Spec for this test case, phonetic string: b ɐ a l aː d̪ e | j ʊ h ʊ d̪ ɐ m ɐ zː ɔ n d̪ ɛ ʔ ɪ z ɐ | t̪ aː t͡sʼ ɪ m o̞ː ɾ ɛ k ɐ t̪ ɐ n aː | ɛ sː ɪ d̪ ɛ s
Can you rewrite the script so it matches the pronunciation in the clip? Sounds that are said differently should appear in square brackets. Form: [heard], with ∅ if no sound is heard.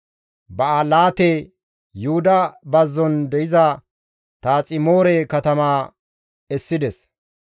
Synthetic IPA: b ɐ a l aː [t̪] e | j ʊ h ʊ d̪ ɐ [b] ɐ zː ɔ n d̪ ɛ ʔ ɪ z ɐ | t̪ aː t͡sʼ ɪ m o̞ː ɾ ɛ k ɐ t̪ ɐ [m] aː | ɛ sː ɪ d̪ ɛ s